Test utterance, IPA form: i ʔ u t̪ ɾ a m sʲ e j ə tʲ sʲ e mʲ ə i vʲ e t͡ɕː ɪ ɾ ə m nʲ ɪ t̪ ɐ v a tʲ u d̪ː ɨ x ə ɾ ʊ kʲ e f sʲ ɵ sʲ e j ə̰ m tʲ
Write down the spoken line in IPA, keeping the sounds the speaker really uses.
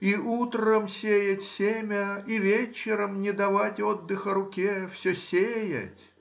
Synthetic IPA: i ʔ u t̪ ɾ ə m sʲ e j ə tʲ sʲ e mʲ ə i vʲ e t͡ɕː ɪ ɾ ə m nʲ ɪ d̪ ɐ v a tʲ o d̪ː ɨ x ə ɾ ʊ kʲ e f sʲ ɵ sʲ e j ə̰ tʲ